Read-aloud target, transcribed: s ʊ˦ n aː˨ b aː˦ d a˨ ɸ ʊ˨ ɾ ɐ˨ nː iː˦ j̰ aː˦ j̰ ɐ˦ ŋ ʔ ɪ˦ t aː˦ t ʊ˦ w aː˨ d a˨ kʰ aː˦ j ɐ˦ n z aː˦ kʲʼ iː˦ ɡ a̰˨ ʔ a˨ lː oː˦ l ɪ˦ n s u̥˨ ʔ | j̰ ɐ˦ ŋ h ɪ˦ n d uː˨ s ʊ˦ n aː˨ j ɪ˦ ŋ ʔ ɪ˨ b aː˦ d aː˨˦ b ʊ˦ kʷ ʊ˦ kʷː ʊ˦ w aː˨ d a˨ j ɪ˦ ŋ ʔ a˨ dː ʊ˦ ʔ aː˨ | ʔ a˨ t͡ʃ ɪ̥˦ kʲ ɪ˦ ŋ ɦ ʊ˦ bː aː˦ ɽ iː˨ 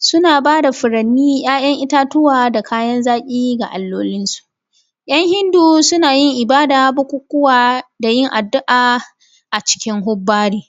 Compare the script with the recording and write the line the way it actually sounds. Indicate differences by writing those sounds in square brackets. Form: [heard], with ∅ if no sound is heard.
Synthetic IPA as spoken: s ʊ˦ n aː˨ b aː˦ d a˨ ɸ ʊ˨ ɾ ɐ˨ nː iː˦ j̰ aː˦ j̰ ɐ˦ ŋ ʔ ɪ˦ t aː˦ t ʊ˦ w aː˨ d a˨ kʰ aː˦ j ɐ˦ n z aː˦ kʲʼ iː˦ ɡ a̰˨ ʔ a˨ lː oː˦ l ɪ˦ n s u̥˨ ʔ | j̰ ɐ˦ ŋ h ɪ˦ n d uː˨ s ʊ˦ n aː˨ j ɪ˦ ŋ ʔ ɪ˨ b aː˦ d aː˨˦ b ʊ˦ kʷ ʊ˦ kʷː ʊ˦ w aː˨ d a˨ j ɪ˦ ŋ ʔ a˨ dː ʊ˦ ʔ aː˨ | ʔ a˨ t͡ʃ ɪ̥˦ kʲ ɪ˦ ŋ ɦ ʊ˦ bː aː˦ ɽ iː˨